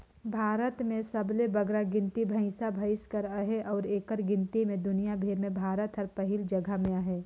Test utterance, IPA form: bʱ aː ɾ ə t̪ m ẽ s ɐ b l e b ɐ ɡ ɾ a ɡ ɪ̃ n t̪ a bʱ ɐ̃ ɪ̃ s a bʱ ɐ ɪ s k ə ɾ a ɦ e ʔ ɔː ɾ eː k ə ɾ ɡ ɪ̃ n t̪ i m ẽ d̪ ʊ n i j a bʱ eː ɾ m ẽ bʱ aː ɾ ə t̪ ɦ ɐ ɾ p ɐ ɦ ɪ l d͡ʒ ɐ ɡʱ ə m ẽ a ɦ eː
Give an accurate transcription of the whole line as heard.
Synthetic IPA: bʱ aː ɾ ə t̪ m ẽ s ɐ b l e b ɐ ɡ ɾ a ɡ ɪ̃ n t̪ i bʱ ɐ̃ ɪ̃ s a bʱ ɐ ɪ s k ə ɾ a ɦ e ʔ ɔː ɾ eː k ə ɾ ɡ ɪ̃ n t̪ i m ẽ d̪ ʊ n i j a bʱ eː ɾ m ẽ bʱ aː ɾ ə t̪ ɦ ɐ ɾ p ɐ ɦ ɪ l d͡ʒ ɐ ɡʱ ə m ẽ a ɦ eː